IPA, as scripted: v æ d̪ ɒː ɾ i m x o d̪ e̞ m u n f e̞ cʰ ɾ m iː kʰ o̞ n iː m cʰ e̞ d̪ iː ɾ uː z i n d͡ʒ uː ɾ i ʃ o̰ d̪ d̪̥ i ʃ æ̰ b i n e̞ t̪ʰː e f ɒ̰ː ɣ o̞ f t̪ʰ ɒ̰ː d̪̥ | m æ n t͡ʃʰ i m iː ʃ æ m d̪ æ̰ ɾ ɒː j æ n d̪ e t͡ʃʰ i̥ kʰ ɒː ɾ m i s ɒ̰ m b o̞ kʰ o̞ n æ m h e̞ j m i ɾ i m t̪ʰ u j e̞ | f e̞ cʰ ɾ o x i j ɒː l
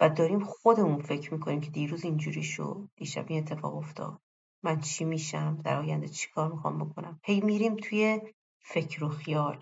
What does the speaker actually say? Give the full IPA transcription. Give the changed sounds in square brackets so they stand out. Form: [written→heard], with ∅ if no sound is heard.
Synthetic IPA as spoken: v æ d̪ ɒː ɾ i m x o d̪ e̞ m u n f e̞ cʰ ɾ m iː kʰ o̞ n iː m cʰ e̞ d̪ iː ɾ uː z i n d͡ʒ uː ɾ i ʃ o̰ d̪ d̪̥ i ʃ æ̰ b i n e̞ t̪ʰː e f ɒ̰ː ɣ o̞ f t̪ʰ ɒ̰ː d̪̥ | m æ n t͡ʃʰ i m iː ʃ æ m d̪ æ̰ ɾ ɒː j æ n d̪ e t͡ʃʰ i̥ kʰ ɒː ɾ m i [s→x] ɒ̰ m b o̞ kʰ o̞ n æ m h e̞ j m i ɾ i m t̪ʰ u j e̞ | f e̞ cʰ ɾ o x i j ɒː l